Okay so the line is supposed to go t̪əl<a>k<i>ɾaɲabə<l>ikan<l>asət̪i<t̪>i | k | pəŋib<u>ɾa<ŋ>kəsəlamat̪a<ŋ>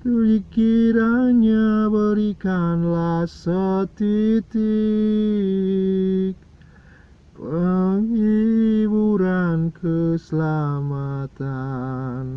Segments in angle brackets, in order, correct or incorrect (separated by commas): incorrect, correct, incorrect, correct, correct, correct, incorrect, incorrect